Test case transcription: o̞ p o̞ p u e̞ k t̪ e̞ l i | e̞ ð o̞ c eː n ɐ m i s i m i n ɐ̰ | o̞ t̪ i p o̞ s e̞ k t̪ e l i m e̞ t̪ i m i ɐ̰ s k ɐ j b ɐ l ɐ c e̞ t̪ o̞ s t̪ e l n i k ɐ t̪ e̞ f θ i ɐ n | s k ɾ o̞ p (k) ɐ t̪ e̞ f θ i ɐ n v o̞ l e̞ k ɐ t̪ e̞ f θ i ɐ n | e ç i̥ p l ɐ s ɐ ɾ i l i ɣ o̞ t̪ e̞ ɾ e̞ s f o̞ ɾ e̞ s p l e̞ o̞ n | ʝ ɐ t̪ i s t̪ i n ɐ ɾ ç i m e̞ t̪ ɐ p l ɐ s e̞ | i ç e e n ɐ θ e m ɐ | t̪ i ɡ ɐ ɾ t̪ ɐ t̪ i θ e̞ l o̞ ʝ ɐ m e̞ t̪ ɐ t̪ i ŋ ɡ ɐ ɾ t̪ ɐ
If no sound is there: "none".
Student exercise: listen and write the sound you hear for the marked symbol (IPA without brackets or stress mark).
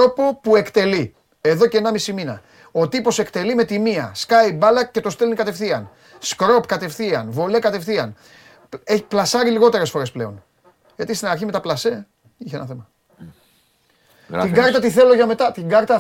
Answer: k